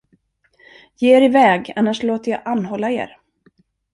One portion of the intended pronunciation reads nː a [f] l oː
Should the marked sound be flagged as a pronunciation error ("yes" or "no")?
yes